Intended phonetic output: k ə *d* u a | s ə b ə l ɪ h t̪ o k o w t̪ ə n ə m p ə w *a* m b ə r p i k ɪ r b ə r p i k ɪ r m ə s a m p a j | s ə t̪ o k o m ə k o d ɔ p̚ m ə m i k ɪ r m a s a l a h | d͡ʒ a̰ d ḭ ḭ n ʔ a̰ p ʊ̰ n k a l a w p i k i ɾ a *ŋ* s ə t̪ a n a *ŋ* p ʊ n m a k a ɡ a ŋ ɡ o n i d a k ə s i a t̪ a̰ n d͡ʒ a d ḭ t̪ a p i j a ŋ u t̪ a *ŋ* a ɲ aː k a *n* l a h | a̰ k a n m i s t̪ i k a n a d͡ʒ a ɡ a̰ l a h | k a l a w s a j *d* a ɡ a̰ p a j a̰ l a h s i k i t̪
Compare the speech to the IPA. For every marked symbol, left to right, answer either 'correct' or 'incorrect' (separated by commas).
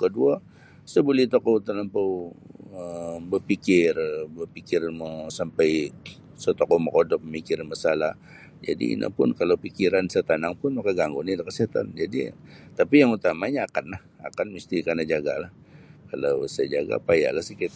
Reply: correct, incorrect, incorrect, correct, incorrect, correct, incorrect